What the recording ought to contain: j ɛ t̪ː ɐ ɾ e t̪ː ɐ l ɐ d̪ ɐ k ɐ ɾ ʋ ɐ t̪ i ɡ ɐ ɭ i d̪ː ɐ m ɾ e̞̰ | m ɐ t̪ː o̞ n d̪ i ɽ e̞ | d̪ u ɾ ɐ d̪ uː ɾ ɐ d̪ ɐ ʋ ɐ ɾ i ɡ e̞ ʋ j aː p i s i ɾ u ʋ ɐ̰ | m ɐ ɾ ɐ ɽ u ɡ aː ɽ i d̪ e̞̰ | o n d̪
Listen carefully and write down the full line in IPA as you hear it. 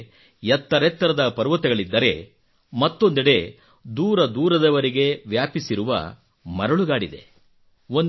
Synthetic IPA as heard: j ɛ t̪ː ɐ ɾ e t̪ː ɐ ɾ ɐ d̪ ɐ p ɐ ɾ ʋ ɐ t̪ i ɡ ɐ ɭ i d̪ː ɐ ɾ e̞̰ | m ɐ t̪ː o̞ n d̪ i ɽ e̞ | d̪ uː ɾ ɐ d̪ uː ɾ ɐ d̪ ɐ ʋ ɐ ɾ i ɡ e̞ ʋ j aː p i s i ɾ u ʋ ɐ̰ | m ɐ ɾ ɐ ɭ u ɡ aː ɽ i d̪ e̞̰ | o n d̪